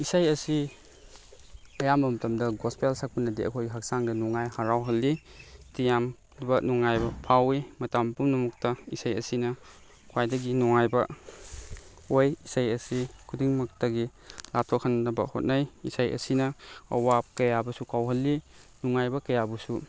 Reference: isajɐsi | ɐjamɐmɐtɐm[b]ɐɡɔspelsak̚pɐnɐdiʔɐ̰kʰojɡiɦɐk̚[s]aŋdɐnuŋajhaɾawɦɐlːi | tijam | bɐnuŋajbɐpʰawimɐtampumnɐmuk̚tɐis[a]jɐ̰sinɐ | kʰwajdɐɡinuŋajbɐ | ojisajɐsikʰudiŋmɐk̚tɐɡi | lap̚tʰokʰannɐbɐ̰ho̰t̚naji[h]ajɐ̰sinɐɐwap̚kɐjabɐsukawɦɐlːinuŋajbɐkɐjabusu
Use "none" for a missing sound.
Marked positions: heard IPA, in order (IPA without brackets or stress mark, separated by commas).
d, s, a, s